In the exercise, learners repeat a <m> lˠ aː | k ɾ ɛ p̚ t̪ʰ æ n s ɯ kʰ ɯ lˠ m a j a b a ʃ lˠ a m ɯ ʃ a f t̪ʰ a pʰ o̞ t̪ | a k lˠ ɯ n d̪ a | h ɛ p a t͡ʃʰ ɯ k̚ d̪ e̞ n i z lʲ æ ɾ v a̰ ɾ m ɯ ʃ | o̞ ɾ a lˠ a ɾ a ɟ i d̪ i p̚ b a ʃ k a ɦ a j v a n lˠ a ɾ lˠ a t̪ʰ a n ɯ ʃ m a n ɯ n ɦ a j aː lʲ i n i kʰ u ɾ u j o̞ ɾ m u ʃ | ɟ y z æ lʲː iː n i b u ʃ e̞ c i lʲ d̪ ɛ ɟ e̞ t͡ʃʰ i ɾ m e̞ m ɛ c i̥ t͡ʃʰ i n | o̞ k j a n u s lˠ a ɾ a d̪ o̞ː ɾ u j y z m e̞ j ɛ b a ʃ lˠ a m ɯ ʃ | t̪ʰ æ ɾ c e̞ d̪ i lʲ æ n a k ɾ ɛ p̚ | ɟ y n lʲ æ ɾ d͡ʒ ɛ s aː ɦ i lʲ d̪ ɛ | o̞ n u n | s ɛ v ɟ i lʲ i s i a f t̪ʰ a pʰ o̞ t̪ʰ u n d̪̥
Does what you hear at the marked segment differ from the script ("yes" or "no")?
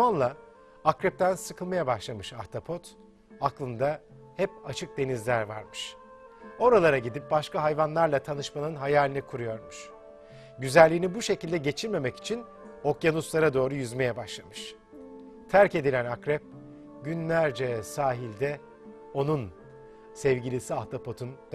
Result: yes